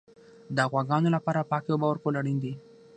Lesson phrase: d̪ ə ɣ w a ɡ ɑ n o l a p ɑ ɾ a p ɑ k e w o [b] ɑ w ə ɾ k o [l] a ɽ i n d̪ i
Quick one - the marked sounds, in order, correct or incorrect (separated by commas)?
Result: correct, correct